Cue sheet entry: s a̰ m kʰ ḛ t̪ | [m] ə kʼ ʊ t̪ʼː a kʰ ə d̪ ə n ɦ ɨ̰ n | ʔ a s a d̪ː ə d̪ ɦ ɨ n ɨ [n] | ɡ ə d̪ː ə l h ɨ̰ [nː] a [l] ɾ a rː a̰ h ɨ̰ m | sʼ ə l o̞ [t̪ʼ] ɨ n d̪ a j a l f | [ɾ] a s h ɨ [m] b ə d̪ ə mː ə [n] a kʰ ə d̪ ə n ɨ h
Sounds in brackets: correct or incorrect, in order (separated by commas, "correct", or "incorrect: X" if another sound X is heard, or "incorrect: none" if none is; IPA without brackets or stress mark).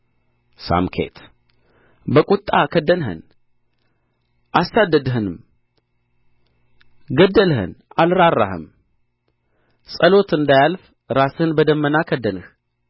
incorrect: b, incorrect: m, incorrect: n, correct, incorrect: t̪, correct, incorrect: n, correct